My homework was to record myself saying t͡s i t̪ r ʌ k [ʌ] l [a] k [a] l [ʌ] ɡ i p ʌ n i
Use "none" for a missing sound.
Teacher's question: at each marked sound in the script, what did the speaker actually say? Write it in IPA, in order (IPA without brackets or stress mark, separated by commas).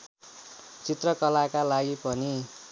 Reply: ʌ, a, a, a